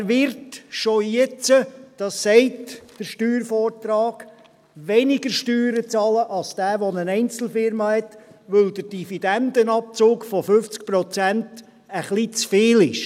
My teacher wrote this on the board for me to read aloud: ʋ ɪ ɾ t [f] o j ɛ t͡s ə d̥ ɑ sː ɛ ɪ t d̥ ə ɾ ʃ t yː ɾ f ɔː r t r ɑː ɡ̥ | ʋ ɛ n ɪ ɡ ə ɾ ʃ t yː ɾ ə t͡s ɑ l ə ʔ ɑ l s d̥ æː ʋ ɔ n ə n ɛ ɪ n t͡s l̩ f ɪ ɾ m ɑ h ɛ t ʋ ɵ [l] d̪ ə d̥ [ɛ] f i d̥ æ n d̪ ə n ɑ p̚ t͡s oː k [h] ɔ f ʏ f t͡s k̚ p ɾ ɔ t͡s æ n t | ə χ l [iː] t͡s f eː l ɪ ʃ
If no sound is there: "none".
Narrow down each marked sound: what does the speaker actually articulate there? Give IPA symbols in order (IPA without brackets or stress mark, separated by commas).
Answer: ʃ, l, i, f, i